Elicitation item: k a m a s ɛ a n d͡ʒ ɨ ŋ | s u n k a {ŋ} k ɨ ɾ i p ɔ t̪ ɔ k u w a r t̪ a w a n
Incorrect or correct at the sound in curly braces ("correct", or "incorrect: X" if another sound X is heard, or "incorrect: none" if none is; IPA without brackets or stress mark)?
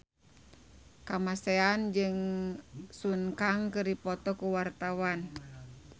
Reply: correct